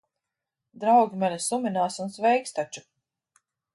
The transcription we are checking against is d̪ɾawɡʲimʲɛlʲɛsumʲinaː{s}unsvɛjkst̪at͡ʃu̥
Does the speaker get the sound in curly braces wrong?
no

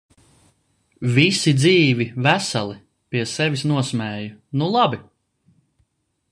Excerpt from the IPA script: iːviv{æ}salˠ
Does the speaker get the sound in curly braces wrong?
no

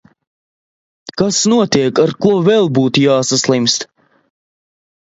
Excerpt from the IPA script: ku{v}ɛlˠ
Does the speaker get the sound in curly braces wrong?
no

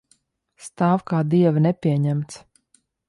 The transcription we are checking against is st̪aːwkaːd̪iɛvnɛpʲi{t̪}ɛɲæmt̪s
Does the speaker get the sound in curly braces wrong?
yes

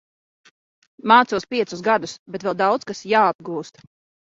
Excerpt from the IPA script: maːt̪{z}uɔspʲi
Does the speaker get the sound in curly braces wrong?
yes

